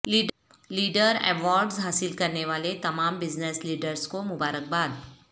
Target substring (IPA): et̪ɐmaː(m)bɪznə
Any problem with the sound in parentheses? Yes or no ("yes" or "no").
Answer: no